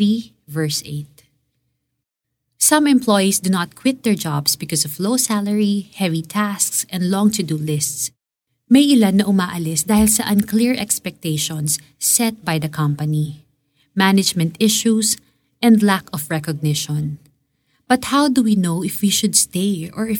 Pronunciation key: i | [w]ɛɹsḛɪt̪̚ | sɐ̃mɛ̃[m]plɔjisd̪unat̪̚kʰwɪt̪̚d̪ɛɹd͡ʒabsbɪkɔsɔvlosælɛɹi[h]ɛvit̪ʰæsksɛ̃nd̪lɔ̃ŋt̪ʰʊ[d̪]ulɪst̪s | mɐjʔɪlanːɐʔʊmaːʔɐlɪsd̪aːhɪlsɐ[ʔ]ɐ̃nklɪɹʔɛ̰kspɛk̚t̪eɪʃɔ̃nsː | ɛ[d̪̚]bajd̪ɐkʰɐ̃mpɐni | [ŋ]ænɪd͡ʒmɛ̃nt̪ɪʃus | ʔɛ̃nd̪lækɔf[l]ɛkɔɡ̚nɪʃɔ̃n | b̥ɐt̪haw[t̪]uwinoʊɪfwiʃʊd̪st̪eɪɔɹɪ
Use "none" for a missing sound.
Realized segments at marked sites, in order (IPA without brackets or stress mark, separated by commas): v, m, h, d̪, ʔ, t̪̚, m, ɹ, d̪